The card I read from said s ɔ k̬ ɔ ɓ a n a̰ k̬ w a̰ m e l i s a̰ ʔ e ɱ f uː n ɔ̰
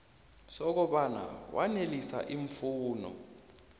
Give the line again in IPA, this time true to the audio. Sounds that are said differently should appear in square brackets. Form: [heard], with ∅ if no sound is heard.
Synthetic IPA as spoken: s ɔ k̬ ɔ ɓ a n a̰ [∅] w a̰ [n] e l i s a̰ ʔ [i] ɱ f uː n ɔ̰